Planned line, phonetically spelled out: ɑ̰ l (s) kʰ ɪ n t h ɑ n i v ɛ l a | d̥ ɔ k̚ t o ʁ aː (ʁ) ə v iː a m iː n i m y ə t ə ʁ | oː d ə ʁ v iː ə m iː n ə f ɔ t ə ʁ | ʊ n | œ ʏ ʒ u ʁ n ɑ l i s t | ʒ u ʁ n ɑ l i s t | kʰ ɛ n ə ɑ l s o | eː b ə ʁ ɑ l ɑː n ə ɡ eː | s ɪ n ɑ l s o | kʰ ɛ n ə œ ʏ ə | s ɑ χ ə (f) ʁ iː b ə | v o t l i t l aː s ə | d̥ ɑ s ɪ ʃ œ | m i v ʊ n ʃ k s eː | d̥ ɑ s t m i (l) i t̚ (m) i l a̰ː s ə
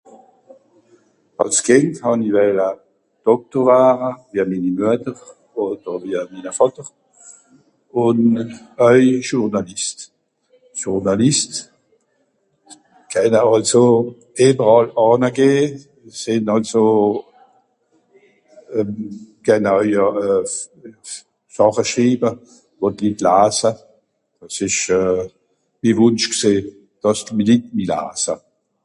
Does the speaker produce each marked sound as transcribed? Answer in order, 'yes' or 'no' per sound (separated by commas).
yes, yes, no, yes, yes